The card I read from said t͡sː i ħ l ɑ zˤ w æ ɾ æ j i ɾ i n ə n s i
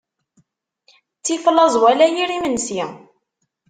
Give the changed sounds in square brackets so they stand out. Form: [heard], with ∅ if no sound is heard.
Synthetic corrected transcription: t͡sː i [f] l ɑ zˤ w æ [l] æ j i ɾ i [m] ə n s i